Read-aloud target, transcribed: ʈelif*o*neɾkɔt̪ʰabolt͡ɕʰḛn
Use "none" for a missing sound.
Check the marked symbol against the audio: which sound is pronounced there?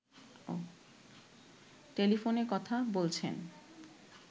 o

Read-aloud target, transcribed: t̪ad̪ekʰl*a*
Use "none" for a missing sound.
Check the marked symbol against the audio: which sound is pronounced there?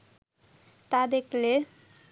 e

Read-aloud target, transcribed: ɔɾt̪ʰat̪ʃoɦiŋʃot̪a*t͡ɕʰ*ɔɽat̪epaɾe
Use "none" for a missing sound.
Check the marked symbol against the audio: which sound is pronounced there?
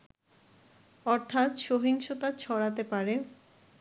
t͡ɕʰ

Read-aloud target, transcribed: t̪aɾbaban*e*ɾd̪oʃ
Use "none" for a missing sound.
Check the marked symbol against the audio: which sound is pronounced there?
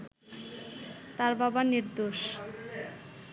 i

